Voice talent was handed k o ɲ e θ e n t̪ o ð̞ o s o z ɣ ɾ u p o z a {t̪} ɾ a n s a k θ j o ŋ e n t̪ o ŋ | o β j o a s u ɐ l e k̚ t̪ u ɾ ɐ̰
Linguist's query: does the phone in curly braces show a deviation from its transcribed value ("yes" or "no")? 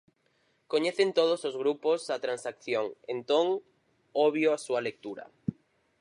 no